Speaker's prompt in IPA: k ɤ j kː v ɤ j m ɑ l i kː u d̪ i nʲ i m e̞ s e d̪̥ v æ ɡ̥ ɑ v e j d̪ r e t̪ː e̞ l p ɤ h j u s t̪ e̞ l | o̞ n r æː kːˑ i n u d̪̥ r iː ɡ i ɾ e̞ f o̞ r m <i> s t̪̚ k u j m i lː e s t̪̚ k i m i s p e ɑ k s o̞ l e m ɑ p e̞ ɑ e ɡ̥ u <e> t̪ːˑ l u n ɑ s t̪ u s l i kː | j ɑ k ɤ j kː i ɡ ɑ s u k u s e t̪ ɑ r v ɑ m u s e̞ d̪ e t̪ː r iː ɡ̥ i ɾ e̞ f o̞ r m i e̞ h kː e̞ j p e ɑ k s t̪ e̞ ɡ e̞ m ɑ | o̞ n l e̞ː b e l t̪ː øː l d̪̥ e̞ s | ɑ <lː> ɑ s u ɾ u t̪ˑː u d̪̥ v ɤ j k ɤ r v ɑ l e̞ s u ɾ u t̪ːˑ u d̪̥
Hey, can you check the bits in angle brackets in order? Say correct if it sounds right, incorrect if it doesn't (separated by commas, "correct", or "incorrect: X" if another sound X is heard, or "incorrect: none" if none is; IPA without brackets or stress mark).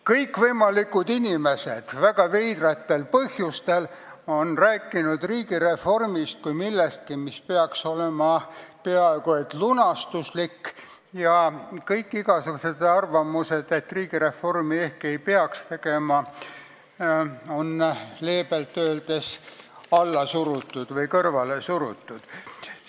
correct, correct, correct